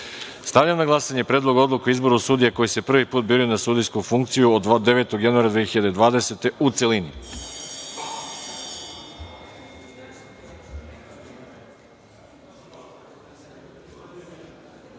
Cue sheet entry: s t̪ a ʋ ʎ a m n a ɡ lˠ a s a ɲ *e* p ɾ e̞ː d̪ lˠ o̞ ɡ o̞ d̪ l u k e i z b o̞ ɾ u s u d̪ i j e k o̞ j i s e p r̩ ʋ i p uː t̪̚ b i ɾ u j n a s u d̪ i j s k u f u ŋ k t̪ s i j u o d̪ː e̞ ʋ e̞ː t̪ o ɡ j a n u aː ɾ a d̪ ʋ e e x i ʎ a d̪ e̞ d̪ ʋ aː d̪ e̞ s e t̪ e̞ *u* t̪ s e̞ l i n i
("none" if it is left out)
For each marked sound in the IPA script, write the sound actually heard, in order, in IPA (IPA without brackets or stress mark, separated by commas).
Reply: e, u